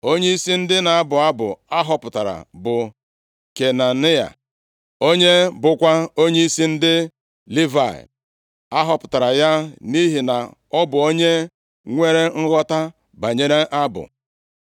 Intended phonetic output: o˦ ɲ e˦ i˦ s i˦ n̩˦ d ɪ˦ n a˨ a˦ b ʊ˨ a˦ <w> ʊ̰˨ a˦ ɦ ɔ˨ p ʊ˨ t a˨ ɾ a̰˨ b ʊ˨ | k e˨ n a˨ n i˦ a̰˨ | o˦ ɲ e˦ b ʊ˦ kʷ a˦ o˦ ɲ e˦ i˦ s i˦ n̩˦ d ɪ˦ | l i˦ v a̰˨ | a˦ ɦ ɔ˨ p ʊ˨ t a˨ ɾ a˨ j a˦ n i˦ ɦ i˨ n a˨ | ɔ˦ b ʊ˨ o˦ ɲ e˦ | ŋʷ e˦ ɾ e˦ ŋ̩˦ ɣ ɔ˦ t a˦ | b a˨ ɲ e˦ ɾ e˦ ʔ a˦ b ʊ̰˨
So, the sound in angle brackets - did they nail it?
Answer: no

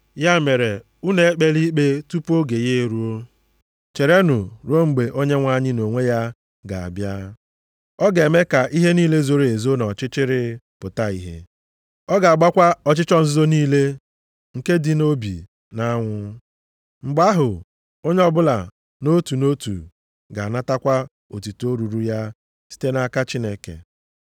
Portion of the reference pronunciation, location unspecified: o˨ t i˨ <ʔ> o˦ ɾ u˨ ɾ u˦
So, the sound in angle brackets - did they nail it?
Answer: no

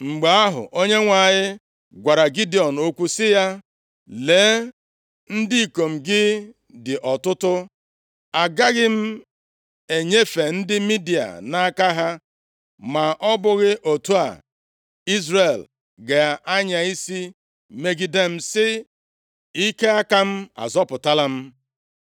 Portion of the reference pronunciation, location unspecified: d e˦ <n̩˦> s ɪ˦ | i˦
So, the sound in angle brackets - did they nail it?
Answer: no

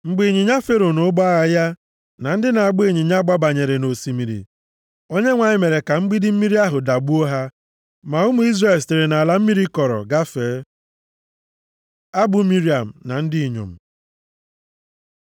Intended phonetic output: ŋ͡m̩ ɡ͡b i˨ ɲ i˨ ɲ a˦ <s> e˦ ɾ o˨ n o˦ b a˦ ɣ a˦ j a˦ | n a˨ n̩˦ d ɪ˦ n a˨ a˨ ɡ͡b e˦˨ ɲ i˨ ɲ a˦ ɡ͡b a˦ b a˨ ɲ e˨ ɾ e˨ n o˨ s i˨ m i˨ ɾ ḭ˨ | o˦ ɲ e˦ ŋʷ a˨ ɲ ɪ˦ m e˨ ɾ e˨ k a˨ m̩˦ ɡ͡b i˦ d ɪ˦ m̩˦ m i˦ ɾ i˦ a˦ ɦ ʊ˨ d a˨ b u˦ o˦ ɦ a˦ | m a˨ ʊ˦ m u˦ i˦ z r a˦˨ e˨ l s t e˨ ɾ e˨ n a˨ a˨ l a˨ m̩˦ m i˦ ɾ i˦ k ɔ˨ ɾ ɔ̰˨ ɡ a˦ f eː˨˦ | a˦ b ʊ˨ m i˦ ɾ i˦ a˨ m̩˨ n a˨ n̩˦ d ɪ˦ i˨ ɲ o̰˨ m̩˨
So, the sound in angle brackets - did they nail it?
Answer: no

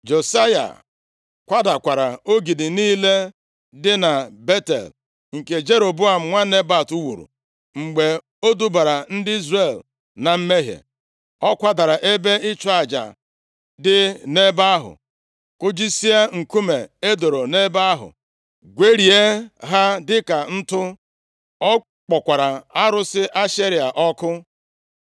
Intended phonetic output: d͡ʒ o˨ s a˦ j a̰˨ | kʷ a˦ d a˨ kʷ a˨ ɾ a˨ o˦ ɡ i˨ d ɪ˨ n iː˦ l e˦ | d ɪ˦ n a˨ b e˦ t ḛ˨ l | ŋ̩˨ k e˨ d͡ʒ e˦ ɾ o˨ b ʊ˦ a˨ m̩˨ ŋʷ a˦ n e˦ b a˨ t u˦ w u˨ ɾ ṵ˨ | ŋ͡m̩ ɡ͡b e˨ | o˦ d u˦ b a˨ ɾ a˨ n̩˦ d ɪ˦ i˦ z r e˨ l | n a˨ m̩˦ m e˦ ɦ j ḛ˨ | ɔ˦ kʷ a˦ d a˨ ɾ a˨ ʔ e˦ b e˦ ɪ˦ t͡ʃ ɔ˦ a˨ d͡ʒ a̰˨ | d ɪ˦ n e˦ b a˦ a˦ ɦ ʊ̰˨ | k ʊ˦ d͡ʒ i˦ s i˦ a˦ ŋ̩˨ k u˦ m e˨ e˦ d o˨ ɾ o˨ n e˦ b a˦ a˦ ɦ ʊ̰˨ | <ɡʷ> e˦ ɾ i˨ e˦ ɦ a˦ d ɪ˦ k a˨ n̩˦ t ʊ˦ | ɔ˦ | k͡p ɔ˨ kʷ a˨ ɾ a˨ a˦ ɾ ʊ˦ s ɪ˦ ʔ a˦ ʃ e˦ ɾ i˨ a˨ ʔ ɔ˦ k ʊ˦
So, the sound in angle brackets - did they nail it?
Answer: yes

